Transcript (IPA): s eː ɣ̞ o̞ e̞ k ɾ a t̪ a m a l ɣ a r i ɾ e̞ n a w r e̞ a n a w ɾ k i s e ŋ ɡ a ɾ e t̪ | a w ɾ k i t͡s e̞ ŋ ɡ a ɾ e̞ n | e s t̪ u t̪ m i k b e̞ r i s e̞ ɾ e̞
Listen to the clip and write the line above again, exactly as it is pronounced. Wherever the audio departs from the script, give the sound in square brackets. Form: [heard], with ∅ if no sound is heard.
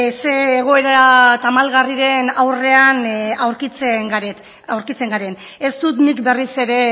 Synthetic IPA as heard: s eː ɣ̞ o̞ e̞ [∅] ɾ a t̪ a m a l ɣ a r i ɾ e̞ n a w r e̞ a n a w ɾ k i [t͡s] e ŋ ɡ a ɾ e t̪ | a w ɾ k i t͡s e̞ ŋ ɡ a ɾ e̞ n | e s t̪ u t̪ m i k b e̞ r i s e̞ ɾ e̞